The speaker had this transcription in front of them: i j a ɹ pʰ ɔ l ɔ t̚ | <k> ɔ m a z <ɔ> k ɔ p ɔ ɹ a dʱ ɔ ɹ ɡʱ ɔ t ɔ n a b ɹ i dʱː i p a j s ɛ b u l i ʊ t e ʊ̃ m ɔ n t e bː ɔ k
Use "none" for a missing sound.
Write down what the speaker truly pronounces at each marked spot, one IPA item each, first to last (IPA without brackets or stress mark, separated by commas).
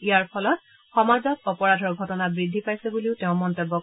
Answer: x, ɔ